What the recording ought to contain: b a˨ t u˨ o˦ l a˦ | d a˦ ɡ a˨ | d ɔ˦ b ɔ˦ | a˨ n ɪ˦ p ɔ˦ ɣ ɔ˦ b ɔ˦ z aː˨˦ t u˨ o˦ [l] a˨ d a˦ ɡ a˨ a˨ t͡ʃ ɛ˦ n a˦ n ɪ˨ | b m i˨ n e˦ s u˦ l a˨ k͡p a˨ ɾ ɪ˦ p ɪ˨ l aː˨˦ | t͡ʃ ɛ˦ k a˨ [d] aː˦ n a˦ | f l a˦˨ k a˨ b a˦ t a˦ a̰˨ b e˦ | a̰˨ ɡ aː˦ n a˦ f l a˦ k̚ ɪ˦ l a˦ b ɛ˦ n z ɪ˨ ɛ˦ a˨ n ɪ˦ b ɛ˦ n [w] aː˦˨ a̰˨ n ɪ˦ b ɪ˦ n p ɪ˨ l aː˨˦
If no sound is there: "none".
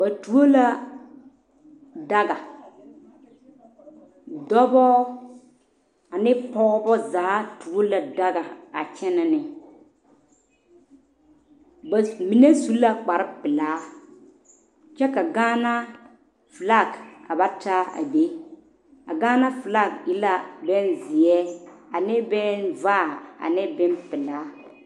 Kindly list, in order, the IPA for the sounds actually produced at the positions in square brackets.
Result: l, ɡ, v

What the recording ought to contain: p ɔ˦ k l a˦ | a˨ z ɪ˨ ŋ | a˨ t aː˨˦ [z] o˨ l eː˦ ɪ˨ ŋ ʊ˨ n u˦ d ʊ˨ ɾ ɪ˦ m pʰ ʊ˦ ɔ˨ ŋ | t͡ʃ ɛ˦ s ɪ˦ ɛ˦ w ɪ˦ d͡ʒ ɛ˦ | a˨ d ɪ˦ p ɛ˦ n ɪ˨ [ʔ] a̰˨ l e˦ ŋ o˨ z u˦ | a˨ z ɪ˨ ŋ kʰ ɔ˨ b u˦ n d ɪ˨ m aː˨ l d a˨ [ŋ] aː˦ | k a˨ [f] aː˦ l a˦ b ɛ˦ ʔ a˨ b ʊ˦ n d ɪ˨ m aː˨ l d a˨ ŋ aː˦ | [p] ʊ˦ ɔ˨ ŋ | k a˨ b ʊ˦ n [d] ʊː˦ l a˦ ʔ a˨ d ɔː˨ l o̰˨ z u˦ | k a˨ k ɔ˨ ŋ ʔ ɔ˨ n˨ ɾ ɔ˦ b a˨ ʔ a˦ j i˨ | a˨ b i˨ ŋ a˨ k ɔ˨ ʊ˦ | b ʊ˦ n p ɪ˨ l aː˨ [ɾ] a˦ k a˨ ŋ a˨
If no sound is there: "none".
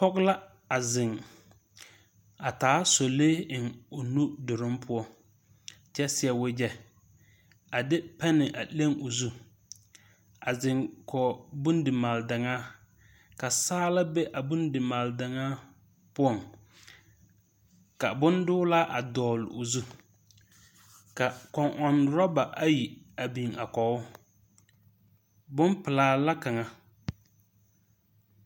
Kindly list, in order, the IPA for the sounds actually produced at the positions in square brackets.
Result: s, ʔ, ŋ, s, p, d, l

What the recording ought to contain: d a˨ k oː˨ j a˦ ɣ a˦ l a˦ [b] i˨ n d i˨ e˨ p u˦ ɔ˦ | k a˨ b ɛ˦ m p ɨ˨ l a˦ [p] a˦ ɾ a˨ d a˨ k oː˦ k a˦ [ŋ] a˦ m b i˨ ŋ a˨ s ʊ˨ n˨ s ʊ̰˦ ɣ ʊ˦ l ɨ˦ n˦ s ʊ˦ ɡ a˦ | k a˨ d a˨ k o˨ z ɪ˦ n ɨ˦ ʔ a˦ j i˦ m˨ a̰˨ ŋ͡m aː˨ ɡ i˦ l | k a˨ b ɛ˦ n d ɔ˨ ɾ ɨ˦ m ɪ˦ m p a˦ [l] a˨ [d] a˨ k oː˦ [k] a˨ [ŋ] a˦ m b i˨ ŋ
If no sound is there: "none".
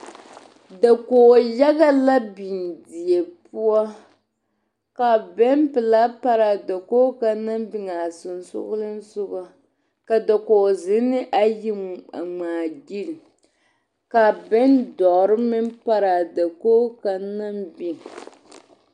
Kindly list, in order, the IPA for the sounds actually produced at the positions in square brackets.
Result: b, p, n, ɾ, d, k, n

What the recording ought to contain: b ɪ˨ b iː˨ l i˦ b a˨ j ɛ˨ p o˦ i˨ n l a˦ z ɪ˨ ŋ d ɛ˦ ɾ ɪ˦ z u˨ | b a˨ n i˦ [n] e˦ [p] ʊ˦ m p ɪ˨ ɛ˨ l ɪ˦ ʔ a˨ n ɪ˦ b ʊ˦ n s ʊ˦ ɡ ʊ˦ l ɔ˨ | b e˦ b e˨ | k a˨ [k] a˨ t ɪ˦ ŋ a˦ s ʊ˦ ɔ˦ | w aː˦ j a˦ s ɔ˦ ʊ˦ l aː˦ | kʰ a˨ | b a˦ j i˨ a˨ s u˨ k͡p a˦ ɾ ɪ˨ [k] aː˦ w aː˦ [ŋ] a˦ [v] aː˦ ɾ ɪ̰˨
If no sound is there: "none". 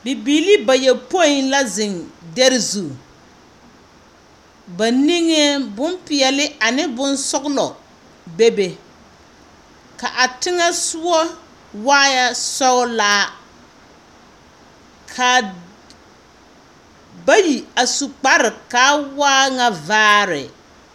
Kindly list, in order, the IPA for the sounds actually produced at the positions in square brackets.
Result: ŋ, b, ʔ, k, ŋ, v

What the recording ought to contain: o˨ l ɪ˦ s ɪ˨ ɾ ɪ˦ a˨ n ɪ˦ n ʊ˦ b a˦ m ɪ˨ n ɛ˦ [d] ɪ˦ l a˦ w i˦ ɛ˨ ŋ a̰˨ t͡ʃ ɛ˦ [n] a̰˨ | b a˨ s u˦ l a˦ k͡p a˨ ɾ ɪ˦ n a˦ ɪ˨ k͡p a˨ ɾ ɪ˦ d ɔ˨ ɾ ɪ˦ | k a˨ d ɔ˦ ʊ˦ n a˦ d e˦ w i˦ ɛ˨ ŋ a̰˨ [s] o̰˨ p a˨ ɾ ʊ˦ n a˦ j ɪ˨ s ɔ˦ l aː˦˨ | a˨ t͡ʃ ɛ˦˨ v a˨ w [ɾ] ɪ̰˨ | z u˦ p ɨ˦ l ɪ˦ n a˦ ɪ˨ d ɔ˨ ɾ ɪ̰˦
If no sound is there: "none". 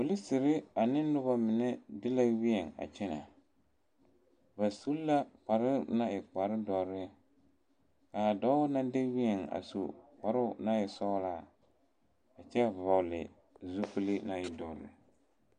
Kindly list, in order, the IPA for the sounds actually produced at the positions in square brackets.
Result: d, n, s, l

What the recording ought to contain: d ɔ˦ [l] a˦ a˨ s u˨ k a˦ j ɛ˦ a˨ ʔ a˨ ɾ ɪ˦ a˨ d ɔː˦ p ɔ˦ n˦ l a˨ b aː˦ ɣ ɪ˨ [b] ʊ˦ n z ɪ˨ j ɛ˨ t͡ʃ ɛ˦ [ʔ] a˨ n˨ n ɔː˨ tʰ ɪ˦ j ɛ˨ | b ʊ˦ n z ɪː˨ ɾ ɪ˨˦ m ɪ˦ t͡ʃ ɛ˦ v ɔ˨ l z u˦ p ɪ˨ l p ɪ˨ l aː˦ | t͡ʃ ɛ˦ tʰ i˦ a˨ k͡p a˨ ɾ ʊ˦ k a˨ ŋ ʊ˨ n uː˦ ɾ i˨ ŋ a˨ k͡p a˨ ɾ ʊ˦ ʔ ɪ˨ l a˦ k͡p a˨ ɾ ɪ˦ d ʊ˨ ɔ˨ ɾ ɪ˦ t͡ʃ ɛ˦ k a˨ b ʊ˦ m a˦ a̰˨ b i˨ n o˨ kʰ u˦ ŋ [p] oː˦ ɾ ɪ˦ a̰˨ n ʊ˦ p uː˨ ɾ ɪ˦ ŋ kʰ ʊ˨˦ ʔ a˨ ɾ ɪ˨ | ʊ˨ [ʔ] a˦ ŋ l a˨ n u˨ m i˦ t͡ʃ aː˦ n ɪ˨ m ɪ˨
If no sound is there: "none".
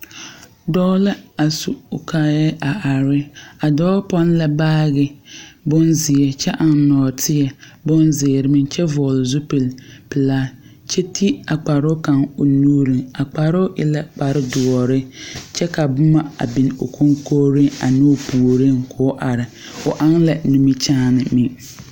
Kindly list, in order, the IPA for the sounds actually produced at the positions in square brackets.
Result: l, b, ʔ, k, ʔ

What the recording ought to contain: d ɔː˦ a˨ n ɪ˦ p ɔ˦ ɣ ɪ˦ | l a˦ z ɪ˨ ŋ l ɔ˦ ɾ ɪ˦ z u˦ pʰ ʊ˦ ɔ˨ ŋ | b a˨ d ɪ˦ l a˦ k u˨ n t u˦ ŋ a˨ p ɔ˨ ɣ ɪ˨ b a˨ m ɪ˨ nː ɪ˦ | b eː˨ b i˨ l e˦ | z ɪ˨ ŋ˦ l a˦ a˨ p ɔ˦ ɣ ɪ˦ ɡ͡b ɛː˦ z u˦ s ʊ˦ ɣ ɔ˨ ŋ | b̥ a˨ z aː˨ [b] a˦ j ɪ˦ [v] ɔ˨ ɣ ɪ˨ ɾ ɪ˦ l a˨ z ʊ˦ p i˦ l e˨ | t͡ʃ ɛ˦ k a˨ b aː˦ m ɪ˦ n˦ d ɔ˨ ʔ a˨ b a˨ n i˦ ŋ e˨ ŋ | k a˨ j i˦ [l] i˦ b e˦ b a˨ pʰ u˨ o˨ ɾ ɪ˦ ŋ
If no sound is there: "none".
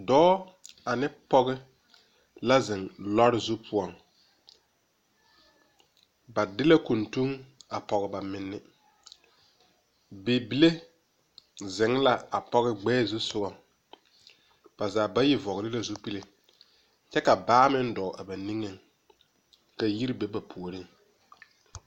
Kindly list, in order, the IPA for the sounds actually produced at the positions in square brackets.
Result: b, v, ɾ

